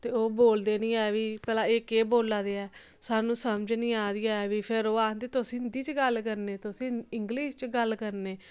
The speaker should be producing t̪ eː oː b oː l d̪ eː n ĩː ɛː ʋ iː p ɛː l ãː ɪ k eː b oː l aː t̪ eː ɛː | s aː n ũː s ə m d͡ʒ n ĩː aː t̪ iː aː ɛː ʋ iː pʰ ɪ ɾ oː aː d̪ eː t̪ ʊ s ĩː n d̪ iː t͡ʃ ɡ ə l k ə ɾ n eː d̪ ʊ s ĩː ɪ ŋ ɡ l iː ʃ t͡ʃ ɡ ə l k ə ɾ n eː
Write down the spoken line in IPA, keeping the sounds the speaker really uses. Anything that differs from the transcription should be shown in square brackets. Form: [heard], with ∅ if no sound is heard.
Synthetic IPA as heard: t̪ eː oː b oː l d̪ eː n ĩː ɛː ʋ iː p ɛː l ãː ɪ k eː b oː l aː [d̪] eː ɛː | s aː n ũː s ə m d͡ʒ n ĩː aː [d̪] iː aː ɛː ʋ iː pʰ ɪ ɾ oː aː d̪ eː t̪ ʊ s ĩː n d̪ iː t͡ʃ ɡ ə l k ə ɾ n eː [t̪] ʊ s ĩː ɪ ŋ ɡ l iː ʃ t͡ʃ ɡ ə l k ə ɾ n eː